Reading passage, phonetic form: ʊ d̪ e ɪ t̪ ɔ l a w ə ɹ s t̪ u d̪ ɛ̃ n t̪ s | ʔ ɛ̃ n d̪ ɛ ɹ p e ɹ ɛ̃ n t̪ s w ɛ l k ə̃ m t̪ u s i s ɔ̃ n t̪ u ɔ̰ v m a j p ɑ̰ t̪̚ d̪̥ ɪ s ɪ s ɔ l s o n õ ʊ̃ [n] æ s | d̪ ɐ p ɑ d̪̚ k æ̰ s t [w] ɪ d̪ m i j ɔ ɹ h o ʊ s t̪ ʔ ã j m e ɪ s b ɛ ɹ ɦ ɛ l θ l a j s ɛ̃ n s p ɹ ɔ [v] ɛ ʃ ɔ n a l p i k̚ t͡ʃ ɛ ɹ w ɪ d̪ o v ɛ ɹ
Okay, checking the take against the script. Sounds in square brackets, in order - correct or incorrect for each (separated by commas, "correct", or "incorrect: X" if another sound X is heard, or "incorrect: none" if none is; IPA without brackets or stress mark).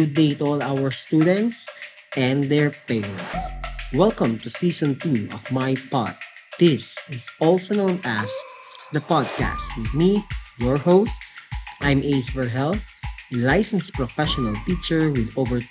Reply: correct, correct, incorrect: f